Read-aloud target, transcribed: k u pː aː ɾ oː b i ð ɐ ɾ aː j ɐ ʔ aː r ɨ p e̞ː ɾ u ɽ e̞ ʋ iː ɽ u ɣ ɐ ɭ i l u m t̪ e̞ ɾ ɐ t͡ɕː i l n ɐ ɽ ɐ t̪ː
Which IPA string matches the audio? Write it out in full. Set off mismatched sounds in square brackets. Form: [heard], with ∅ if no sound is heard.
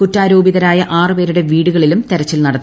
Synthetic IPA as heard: k u [tː] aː ɾ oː b i ð ɐ ɾ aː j ɐ ʔ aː r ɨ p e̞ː ɾ u ɽ e̞ ʋ iː ɽ u ɣ ɐ ɭ i l u m t̪ e̞ ɾ ɐ t͡ɕː i l n ɐ ɽ ɐ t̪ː